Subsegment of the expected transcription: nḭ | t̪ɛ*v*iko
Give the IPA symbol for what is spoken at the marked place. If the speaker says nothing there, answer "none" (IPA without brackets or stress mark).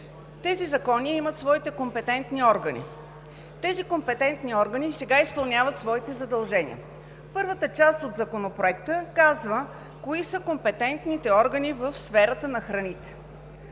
z